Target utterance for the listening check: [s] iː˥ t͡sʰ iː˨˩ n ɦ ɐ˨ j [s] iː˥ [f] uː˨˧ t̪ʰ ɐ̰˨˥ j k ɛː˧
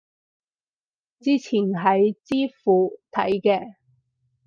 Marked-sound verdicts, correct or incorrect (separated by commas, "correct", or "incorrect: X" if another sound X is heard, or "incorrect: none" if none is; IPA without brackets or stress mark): incorrect: t͡s, incorrect: t͡s, correct